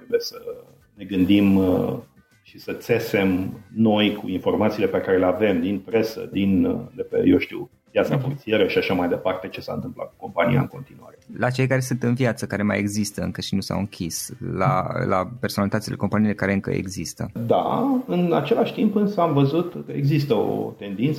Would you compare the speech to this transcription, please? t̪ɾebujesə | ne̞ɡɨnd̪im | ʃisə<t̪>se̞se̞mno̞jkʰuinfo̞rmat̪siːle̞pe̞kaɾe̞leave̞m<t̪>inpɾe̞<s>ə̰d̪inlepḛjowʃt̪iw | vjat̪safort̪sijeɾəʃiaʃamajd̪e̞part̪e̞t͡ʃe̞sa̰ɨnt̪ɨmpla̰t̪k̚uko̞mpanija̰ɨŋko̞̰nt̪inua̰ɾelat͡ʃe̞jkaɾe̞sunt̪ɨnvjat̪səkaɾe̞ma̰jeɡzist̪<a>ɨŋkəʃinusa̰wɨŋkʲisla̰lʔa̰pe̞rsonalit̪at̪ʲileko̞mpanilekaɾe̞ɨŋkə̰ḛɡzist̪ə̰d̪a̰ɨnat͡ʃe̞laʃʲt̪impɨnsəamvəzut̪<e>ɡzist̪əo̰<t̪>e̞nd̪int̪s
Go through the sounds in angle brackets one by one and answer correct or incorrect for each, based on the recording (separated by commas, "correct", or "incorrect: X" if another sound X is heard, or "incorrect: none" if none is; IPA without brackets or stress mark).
correct, incorrect: d̪, correct, incorrect: ə, correct, correct